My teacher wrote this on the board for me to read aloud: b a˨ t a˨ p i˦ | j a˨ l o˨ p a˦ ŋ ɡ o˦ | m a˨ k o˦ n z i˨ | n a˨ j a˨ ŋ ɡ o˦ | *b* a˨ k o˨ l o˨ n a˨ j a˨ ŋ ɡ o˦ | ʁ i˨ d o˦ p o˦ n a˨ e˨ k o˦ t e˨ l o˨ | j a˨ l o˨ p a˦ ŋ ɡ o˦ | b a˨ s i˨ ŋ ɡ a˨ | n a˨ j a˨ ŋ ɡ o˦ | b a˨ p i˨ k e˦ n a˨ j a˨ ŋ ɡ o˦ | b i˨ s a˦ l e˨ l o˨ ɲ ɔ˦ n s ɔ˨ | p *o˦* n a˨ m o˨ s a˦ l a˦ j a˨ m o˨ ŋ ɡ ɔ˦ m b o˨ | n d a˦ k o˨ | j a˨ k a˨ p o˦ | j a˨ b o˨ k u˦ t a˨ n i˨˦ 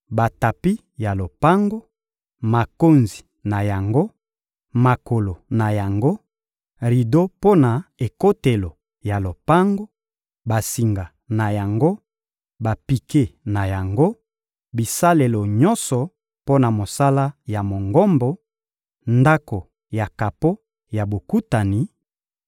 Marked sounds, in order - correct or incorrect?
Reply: incorrect, correct

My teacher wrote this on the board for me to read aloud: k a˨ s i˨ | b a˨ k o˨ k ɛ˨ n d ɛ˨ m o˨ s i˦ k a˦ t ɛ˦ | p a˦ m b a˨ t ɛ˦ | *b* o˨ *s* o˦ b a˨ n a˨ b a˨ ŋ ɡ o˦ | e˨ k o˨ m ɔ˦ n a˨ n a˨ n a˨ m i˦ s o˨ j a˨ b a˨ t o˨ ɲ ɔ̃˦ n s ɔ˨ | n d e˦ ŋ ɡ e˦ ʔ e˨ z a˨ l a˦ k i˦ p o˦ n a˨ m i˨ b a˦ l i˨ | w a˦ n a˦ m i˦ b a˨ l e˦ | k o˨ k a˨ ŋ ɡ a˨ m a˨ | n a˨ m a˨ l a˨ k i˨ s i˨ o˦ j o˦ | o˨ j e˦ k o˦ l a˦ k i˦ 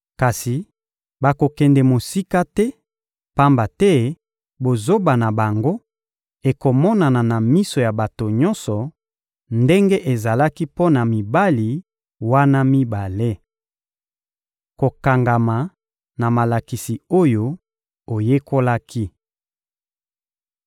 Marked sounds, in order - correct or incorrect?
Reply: correct, incorrect

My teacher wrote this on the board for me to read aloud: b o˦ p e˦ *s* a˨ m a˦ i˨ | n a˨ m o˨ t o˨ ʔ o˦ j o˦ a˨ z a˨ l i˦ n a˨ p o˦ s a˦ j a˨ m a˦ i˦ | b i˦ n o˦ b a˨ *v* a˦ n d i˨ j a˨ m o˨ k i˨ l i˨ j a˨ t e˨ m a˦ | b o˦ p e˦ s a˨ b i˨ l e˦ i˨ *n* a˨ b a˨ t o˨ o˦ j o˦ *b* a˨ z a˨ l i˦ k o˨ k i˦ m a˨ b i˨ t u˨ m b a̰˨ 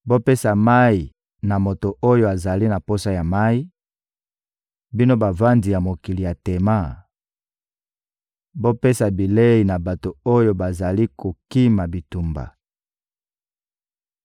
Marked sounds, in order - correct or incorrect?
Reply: correct, correct, correct, correct

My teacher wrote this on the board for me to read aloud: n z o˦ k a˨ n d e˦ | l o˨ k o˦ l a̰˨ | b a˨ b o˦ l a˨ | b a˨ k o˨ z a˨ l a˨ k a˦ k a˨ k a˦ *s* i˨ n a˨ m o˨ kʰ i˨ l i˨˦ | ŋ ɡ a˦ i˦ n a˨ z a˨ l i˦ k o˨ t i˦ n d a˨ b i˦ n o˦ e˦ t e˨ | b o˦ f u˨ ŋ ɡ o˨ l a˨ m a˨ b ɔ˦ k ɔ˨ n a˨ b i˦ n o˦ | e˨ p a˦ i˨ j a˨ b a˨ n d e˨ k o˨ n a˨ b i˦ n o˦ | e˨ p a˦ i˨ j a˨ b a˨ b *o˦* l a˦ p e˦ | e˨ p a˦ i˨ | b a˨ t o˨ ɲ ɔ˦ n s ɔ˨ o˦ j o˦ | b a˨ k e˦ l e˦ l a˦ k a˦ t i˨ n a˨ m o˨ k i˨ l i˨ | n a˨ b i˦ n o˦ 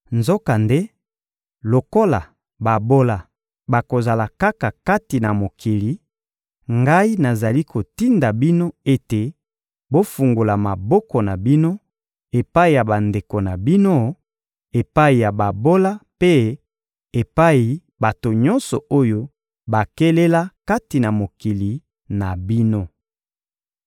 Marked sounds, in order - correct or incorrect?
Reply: incorrect, correct

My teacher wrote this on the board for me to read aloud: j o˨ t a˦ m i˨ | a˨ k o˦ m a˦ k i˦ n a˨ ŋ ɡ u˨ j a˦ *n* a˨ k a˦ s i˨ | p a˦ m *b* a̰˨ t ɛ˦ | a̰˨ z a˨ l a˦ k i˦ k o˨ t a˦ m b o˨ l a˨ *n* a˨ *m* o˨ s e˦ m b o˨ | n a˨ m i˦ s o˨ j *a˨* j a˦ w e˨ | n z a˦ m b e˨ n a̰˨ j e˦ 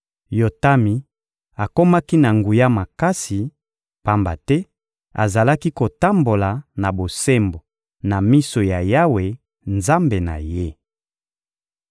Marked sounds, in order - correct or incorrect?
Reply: incorrect, correct, correct, incorrect, correct

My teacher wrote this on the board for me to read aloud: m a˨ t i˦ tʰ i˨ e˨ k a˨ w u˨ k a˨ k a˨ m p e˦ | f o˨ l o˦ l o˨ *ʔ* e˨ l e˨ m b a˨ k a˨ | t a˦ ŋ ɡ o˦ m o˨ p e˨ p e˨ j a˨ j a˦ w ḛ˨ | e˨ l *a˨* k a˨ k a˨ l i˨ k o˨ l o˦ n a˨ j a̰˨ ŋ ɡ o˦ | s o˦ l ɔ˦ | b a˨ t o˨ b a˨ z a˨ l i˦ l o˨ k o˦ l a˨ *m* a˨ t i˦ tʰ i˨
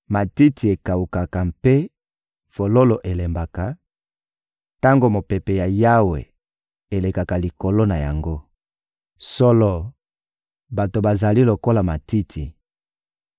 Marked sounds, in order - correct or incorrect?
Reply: correct, incorrect, correct

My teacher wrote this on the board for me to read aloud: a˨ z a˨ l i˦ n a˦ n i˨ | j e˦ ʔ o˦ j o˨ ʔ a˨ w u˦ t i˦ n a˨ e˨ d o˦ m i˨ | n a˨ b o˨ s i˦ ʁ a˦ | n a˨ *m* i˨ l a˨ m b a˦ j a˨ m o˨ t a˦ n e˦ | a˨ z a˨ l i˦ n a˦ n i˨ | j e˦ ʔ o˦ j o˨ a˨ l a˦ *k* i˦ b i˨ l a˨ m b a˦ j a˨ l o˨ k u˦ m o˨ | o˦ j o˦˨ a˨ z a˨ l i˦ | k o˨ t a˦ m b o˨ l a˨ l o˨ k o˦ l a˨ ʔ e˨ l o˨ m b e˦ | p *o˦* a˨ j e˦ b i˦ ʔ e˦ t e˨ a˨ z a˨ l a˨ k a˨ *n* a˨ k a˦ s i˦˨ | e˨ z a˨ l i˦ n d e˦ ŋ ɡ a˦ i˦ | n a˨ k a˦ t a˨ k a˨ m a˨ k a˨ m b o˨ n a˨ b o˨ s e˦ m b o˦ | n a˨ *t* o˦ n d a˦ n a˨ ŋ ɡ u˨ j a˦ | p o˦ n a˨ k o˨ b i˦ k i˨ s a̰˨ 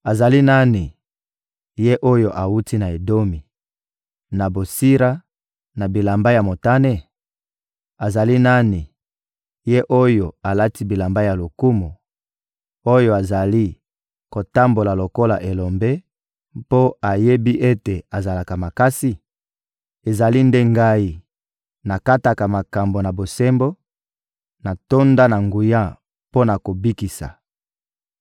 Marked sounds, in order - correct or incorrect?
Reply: incorrect, incorrect, correct, incorrect, correct

